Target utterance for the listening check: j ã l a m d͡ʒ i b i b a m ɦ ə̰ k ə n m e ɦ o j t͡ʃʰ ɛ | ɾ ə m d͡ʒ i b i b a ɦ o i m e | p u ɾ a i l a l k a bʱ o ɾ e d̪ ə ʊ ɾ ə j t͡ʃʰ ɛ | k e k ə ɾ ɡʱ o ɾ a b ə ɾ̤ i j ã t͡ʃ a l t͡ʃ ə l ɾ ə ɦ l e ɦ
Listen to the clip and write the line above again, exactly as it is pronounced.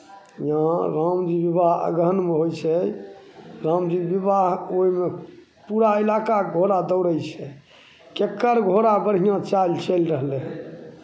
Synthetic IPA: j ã ɾ a m d͡ʒ i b i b a ɦ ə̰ ɡ ə n m e ɦ o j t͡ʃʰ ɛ | ɾ a m d͡ʒ i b i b a ɦ o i m e | p u ɾ a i l a k a ɡʱ o ɾ a d̪ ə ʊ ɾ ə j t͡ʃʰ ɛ | k e k ə ɾ ɡʱ o ɾ a b ə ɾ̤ i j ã t͡ʃ a l t͡ʃ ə l ɾ ə ɦ l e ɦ

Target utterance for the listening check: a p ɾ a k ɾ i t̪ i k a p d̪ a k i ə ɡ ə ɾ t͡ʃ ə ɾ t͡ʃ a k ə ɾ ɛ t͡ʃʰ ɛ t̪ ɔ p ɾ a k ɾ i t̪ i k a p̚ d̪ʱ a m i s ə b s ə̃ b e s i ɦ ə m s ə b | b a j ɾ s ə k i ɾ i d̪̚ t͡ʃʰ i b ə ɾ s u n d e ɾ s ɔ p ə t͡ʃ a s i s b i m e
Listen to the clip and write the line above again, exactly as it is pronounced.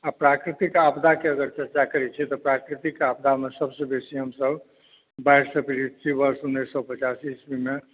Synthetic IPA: a p ɾ a k ɾ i t̪ i k a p d̪ a k e ə ɡ ə ɾ t͡ʃ ə ɾ t͡ʃ a k ə ɾ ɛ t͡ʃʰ ɛ t̪ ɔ p ɾ a k ɾ i t̪ i k a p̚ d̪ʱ a m e s ə b s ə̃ b e s i ɦ ə m s ə b | b a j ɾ s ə p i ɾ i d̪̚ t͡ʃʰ i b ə ɾ s u n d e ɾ s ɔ p ə t͡ʃ a s i s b i m e

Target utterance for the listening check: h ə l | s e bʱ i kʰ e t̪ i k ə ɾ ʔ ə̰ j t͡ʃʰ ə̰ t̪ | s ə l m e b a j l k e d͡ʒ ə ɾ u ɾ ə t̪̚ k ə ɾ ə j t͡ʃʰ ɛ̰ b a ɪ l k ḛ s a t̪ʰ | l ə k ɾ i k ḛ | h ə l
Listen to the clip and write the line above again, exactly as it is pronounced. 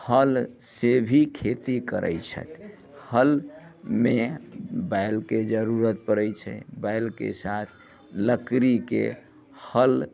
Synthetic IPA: h ə l | s e bʱ i kʰ e t̪ i k ə ɾ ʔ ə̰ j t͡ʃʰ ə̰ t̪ | h ə l m e b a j l k e d͡ʒ ə ɾ u ɾ ə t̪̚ p ə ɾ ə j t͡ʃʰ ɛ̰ b a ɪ l k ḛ s a t̪ʰ | l ə k ɾ i k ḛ | h ə l

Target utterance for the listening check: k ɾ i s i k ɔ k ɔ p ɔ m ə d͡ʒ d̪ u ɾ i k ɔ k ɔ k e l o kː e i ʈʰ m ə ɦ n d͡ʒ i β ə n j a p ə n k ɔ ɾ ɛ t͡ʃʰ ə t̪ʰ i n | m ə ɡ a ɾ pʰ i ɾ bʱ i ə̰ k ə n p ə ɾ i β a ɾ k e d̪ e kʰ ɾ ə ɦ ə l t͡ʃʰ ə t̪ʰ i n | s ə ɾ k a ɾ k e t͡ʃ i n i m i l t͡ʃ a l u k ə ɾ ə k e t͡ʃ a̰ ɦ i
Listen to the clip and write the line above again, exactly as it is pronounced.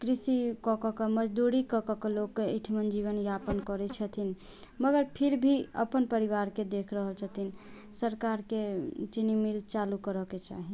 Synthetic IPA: k ɾ i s i k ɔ k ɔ k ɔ m ə d͡ʒ d̪ u ɾ i k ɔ k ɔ k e l o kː e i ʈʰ m ə n d͡ʒ i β ə n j a p ə n k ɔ ɾ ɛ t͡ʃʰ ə t̪ʰ i n | m ə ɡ ə ɾ pʰ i ɾ bʱ i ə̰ p ə n p ə ɾ i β a ɾ k e d̪ e kʰ ɾ ə ɦ ə l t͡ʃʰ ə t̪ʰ i n | s ə ɾ k a ɾ k e t͡ʃ i n i m i l t͡ʃ a l u k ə ɾ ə k e t͡ʃ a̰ ɦ i

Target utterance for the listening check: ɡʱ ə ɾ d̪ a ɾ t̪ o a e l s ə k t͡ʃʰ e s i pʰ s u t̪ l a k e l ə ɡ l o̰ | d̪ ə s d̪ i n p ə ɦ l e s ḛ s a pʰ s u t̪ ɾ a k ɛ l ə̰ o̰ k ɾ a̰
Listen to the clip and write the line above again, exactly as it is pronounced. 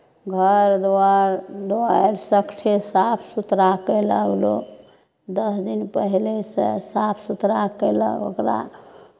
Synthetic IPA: ɡʱ ə ɾ d̪ a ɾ d̪ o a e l s ə k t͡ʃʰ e s a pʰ s u t̪ ɾ a k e l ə ɡ l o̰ | d̪ ə s d̪ i n p ə ɦ l e s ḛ s a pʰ s u t̪ ɾ a k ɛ l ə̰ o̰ k ɾ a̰

